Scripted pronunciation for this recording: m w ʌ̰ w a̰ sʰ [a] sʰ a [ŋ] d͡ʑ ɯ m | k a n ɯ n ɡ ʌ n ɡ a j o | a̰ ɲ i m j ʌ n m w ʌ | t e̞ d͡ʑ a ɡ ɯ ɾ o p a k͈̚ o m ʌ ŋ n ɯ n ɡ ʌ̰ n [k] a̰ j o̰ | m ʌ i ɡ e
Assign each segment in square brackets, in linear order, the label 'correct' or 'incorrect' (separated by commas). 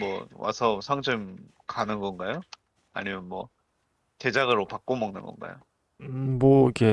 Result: incorrect, correct, incorrect